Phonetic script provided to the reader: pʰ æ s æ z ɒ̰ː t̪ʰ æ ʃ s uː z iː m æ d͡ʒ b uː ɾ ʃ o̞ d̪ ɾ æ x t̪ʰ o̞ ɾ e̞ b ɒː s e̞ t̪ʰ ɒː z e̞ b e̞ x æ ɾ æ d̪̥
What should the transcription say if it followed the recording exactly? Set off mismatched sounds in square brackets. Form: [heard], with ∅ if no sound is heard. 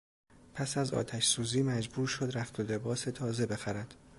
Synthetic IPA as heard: pʰ æ s æ z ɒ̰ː t̪ʰ æ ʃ s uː z iː m æ d͡ʒ b uː ɾ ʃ o̞ d̪ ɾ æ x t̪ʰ o̞ [l] e̞ b ɒː s e̞ t̪ʰ ɒː z e̞ b e̞ x æ ɾ æ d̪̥